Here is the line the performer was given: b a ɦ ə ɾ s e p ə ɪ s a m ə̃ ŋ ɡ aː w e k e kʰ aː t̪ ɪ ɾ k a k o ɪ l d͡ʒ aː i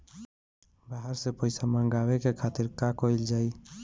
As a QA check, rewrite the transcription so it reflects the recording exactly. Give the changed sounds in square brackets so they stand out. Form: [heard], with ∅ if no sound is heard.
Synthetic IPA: b a ɦ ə ɾ s e p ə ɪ s a m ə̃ ŋ ɡ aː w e k e kʰ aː t̪ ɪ ɾ k a k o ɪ l d͡ʒ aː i